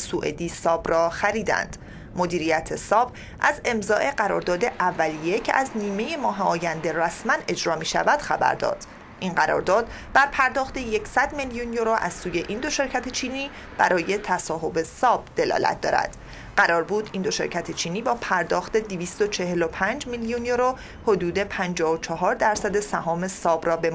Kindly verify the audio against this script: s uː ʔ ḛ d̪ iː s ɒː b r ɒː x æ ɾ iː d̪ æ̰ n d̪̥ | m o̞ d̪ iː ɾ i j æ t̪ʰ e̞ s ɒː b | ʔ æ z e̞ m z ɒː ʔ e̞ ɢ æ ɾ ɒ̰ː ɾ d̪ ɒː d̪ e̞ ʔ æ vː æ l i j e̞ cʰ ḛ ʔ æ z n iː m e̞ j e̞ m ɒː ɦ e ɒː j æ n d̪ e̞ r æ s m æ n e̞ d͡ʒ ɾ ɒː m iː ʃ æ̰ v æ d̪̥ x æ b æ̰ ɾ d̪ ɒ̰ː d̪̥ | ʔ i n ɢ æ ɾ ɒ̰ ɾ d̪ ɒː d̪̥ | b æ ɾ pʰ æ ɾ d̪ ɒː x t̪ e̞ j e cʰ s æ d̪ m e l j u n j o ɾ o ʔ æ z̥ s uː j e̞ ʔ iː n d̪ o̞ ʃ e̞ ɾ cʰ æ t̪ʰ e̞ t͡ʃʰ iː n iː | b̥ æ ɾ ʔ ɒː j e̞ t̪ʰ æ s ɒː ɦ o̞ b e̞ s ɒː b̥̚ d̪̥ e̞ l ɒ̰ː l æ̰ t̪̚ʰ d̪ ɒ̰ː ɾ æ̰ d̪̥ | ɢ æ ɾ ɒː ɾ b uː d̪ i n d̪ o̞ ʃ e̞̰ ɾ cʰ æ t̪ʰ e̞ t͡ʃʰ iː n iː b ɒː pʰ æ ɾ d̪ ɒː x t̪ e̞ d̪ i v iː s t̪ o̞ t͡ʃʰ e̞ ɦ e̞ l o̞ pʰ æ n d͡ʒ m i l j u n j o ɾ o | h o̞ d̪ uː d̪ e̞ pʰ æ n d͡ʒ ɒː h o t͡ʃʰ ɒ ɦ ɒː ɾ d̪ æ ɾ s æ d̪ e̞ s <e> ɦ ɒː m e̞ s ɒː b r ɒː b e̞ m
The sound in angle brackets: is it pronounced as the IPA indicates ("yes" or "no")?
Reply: no